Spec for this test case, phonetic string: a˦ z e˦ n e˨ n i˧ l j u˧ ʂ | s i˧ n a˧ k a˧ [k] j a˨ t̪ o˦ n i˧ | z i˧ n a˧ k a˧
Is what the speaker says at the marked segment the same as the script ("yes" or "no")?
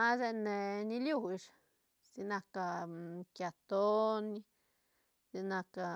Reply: yes